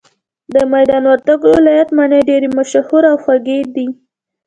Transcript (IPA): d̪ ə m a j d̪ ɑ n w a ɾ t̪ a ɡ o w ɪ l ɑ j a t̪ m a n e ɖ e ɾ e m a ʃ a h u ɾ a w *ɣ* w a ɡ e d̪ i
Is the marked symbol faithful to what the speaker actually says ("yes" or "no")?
no